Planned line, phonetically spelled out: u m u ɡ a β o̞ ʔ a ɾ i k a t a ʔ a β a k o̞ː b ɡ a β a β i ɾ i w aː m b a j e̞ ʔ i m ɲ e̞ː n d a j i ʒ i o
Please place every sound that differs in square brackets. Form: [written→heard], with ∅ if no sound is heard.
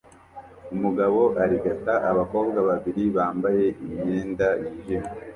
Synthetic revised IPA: u m u ɡ a β o̞ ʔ a ɾ i [k→ɡ] a t a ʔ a β a k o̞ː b ɡ a β a β i ɾ i [w→β] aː m b a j e̞ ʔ i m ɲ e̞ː n d a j i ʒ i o